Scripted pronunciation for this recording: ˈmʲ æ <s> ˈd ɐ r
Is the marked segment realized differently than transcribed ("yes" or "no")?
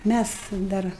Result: no